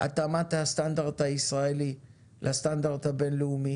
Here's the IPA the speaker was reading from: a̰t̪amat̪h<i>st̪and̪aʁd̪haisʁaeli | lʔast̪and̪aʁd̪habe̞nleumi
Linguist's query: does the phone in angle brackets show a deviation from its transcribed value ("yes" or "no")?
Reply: yes